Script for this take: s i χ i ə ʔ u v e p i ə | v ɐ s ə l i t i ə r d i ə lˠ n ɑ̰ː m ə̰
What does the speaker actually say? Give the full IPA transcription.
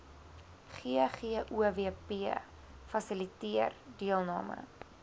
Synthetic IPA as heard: χ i χ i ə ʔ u v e p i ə | f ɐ s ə l i t i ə r d i ə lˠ n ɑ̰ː m ə̰